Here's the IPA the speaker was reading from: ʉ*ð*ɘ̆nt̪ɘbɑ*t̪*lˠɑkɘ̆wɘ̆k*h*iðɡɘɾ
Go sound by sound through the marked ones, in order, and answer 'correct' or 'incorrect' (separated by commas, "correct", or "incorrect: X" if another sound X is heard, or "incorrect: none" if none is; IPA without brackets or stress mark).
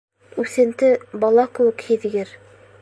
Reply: incorrect: θ, incorrect: none, correct